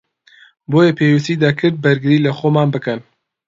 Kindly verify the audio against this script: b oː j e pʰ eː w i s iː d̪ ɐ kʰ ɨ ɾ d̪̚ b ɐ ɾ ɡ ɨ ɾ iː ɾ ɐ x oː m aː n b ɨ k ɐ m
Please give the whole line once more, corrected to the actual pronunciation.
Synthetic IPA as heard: b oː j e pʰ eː w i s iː d̪ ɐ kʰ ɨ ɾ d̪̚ b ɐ ɾ ɡ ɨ ɾ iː l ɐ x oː m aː n b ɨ k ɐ n